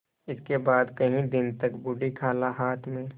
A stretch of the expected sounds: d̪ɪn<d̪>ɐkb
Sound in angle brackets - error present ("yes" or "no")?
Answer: yes